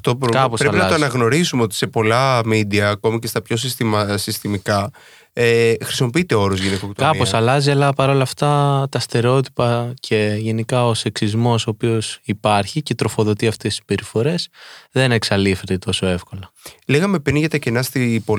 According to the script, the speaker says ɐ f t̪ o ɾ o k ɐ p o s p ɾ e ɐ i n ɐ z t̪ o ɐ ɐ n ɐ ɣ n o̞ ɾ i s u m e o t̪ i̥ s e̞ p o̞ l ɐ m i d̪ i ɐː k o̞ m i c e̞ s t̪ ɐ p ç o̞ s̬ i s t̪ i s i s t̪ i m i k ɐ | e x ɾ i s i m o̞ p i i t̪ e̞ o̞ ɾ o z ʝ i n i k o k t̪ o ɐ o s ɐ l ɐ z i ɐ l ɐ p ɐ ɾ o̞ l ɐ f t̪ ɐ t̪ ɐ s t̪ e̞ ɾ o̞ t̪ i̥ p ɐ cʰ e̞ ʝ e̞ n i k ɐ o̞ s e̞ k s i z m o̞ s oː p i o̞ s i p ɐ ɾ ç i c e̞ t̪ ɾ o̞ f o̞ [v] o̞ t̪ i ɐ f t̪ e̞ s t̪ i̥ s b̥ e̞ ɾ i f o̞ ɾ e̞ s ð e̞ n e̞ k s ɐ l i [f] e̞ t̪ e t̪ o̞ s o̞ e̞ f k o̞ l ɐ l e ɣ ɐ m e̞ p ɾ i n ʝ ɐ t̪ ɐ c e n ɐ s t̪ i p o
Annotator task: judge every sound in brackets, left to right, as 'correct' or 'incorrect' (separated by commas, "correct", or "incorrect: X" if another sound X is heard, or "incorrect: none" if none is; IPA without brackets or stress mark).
incorrect: ð, correct